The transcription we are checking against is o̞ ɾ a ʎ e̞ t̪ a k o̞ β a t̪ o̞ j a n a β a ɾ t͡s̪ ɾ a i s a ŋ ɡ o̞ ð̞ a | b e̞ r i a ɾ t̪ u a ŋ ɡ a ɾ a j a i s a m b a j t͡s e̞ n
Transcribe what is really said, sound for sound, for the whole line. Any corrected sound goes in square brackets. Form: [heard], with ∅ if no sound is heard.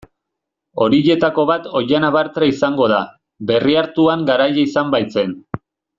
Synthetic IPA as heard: o̞ ɾ [i] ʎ e̞ t̪ a k o̞ β a t̪ o̞ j a n a β a ɾ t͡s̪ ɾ a i s a ŋ ɡ o̞ ð̞ a | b e̞ r i a ɾ t̪ u a ŋ ɡ a ɾ a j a i s a m b a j t͡s e̞ n

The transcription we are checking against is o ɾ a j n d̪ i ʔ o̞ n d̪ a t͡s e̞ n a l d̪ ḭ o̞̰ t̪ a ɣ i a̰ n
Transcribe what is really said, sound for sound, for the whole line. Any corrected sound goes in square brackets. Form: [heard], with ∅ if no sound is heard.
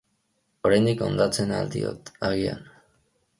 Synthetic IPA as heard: o ɾ a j n d̪ i [k] o̞ n d̪ a t͡s e̞ n a l d̪ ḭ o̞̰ t̪ a ɣ i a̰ n

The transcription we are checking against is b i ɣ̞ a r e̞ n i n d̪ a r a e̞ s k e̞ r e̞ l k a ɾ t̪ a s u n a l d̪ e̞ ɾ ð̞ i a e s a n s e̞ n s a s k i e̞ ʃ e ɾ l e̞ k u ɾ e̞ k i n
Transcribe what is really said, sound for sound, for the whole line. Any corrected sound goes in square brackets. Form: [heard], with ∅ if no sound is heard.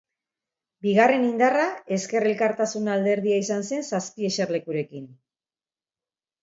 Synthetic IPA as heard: b i ɣ̞ a r e̞ n i n d̪ a r a e̞ s k e̞ r e̞ l k a ɾ t̪ a s u n a l d̪ e̞ ɾ ð̞ i a [i] s a n s e̞ n s a s [p] i e̞ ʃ e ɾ l e̞ k u ɾ e̞ k i n

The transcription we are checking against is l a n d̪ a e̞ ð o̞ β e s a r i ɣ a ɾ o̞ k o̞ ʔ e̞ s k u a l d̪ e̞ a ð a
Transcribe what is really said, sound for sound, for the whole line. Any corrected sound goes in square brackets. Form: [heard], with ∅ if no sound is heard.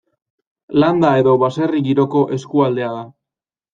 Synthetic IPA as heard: l a n d̪ a e̞ ð o̞ β [a] s [e] r i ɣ [i] ɾ o̞ k o̞ ʔ e̞ s k u a l d̪ e̞ a ð a

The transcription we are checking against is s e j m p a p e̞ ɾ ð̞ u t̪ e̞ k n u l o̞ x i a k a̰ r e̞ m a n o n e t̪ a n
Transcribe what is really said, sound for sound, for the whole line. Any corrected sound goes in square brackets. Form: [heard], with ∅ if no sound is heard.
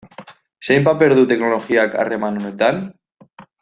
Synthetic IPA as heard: s e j m p a p e̞ ɾ ð̞ u t̪ e̞ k n [o] l o̞ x i a k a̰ r e̞ m a n o n e t̪ a n

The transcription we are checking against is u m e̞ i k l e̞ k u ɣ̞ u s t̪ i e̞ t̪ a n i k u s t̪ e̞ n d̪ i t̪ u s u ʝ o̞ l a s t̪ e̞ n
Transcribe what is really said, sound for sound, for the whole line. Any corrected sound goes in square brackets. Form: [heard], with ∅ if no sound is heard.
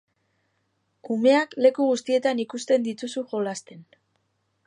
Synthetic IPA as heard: u m e̞ [a] k l e̞ k u ɣ̞ u s t̪ i e̞ t̪ a n i k u s t̪ e̞ n d̪ i t̪ u s u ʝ o̞ l a s t̪ e̞ n

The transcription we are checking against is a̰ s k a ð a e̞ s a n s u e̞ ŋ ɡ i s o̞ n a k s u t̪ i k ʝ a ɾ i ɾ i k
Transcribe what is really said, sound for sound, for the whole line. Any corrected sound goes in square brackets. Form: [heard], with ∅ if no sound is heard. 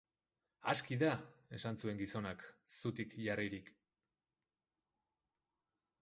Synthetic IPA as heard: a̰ s k [i] ð a e̞ s a n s u e̞ ŋ ɡ i s o̞ n a k s u t̪ i k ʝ a [r] i ɾ i k

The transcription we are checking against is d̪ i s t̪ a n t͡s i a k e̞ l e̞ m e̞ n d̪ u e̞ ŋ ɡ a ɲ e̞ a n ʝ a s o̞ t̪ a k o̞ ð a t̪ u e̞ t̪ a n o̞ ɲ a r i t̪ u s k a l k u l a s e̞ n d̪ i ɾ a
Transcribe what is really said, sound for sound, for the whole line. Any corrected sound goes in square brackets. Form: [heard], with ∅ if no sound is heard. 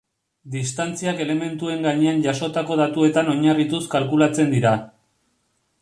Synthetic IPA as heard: d̪ i s t̪ a n t͡s i a k e̞ l e̞ m e̞ n [t̪] u e̞ ŋ ɡ a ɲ e̞ a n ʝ a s o̞ t̪ a k o̞ ð a t̪ u e̞ t̪ a n o̞ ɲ a r i t̪ u s k a l k u l a [t͡s] e̞ n d̪ i ɾ a

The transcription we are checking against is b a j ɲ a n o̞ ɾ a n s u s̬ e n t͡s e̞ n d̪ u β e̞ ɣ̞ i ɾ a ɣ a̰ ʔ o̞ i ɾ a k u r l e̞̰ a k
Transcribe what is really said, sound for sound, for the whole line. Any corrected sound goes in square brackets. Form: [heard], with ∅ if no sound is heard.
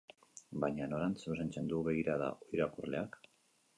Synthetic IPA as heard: b a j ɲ a n o̞ ɾ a n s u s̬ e n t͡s e̞ n d̪ u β e̞ ɣ̞ i ɾ a [ð] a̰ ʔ o̞ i ɾ a k u r l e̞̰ a k

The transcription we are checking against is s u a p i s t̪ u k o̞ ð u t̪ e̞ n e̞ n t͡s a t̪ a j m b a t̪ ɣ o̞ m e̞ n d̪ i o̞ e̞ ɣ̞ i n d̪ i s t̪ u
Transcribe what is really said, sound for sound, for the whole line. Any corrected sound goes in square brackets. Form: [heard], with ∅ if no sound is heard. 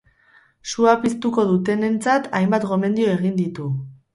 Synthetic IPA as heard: s u a p i s t̪ u k o̞ ð u t̪ e̞ n e̞ n t͡s a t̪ a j m b a t̪ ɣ o̞ m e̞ n d̪ i o̞ e̞ ɣ̞ i n d̪ i [∅] t̪ u

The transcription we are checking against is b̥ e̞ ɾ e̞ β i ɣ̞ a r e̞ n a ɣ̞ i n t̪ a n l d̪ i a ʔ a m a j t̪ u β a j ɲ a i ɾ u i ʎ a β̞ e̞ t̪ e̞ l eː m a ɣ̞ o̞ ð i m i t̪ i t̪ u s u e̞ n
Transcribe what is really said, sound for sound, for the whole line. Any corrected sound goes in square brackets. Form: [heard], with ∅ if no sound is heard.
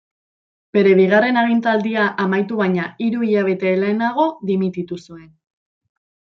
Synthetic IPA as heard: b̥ e̞ ɾ e̞ β i ɣ̞ a r e̞ n a ɣ̞ i n t̪ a [∅] l d̪ i a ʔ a m a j t̪ u β a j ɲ a i ɾ u i ʎ a β̞ e̞ t̪ e̞ l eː [n] a ɣ̞ o̞ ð i m i t̪ i t̪ u s u e̞ n

